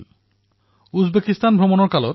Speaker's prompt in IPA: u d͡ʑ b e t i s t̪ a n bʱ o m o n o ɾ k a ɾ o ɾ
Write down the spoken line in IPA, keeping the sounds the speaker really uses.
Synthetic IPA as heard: u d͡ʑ b e k i s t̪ a n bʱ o m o n o ɾ k a l o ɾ